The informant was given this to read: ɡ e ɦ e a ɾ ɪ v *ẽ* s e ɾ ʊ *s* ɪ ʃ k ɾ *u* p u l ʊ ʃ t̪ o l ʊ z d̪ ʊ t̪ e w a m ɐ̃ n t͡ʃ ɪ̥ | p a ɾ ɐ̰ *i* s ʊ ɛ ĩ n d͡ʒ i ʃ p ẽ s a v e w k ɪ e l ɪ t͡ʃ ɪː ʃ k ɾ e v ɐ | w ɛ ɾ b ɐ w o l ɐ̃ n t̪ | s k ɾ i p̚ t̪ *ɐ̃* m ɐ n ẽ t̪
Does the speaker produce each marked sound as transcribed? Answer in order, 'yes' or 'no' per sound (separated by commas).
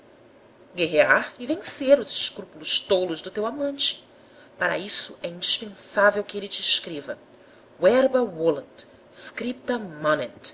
yes, no, yes, yes, no